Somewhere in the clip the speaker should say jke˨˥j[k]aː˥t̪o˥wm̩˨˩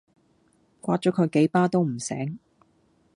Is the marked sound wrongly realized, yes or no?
yes